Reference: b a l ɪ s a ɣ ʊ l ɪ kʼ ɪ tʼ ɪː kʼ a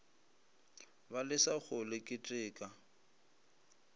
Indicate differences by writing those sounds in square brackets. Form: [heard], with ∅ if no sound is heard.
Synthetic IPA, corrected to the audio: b a l ɪ s a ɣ ʊ l ɪ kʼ ɪ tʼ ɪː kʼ a